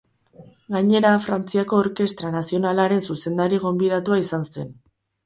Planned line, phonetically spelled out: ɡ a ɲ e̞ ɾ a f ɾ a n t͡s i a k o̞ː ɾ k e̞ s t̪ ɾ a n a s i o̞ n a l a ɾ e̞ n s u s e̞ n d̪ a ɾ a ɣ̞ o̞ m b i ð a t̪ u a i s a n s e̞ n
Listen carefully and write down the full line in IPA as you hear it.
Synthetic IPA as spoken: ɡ a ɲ e̞ ɾ a f ɾ a n t͡s i a k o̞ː ɾ k e̞ s t̪ ɾ a n a s i o̞ n a l a ɾ e̞ n s u s e̞ n d̪ a ɾ i ɣ̞ o̞ m b i ð a t̪ u a i s a n s e̞ n